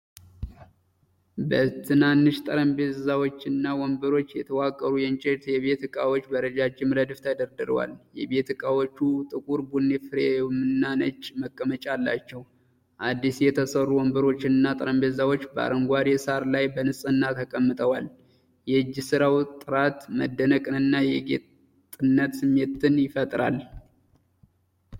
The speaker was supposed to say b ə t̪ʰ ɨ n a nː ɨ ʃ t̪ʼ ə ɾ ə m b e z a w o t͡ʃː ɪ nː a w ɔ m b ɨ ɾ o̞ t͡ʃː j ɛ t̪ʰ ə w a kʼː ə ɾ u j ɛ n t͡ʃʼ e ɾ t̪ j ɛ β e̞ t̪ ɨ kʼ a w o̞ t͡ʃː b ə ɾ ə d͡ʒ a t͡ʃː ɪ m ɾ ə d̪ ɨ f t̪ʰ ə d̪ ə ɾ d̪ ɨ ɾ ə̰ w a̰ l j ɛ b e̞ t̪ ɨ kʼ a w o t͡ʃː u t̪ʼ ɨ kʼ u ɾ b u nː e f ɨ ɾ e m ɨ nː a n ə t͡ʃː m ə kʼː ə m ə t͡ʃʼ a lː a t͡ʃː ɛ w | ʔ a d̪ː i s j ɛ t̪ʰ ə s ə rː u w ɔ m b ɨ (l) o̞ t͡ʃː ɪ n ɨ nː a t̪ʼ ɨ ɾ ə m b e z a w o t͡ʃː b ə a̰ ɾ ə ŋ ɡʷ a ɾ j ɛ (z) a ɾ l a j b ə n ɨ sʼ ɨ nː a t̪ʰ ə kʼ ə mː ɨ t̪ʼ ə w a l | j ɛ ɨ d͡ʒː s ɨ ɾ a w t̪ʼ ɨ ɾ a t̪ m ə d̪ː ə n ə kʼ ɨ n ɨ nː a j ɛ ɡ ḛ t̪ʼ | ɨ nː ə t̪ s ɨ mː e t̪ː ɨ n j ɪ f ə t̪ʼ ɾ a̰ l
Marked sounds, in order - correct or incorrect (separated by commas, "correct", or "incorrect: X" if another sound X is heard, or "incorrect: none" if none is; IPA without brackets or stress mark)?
incorrect: ɾ, incorrect: s